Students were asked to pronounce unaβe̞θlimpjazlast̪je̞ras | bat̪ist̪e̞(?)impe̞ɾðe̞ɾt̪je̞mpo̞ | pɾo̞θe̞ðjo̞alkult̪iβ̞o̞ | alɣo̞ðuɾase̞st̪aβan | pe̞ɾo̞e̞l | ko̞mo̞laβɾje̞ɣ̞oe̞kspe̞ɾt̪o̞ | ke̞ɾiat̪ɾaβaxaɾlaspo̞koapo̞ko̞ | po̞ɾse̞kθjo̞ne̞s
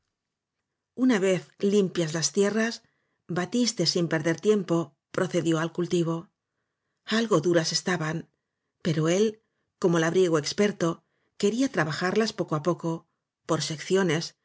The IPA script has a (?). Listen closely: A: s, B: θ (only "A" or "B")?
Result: A